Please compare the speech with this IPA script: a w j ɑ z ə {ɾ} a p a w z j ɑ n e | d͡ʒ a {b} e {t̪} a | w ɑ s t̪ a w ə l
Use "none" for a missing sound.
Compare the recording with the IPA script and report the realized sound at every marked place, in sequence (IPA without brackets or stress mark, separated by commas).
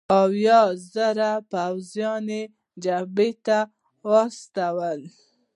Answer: ɾ, b, t̪